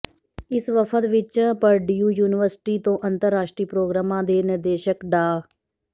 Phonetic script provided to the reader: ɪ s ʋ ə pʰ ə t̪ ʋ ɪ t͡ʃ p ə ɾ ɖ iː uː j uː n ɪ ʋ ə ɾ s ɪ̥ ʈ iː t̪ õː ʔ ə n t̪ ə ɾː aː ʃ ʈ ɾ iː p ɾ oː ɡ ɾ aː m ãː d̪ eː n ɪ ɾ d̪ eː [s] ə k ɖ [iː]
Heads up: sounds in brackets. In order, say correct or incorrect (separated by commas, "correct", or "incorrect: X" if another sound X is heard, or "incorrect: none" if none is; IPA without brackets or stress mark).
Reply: incorrect: ʃ, incorrect: aː